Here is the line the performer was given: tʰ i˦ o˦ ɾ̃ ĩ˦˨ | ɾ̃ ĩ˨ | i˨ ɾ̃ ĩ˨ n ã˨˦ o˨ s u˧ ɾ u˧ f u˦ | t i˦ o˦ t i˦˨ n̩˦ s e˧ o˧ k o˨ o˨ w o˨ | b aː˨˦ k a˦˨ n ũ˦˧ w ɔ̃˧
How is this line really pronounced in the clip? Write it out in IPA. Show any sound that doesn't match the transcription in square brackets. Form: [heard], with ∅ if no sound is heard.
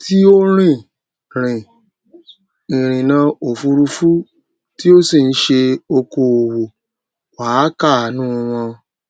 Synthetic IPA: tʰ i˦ o˦ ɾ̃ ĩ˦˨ | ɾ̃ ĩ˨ | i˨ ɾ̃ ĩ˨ n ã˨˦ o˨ [f] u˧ ɾ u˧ f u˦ | t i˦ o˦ [s] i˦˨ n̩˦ [ʃ] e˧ o˧ k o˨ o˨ w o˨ | [w] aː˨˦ k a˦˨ n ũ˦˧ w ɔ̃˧